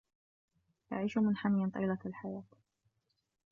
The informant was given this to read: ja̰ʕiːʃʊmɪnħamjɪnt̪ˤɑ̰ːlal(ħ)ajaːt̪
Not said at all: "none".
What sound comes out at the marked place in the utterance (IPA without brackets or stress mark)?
ħ